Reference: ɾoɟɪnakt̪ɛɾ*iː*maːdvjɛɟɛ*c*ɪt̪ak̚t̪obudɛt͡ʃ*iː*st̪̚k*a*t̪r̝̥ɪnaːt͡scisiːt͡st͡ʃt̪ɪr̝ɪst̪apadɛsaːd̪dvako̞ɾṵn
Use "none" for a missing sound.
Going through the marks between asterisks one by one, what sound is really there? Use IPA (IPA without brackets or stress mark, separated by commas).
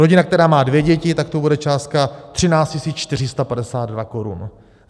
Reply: aː, c, aː, a